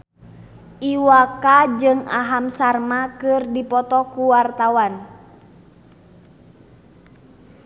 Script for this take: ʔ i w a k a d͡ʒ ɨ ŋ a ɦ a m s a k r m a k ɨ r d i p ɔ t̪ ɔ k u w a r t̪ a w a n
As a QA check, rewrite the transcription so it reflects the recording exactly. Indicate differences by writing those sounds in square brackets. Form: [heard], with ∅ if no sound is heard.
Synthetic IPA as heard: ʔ i w a k a d͡ʒ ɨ ŋ a ɦ a m s a [∅] r m a k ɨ r d i p ɔ t̪ ɔ k u w a r t̪ a w a n